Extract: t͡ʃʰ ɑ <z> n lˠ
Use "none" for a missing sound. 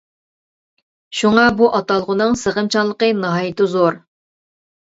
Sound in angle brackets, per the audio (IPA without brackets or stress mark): none